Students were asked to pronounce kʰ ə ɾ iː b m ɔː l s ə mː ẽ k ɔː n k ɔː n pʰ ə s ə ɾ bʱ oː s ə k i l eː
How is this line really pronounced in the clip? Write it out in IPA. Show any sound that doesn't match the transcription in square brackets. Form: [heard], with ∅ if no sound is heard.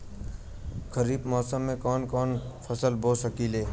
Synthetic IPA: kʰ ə ɾ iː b m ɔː [∅] s ə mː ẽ k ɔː n k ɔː n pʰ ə s ə [l] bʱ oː s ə k i l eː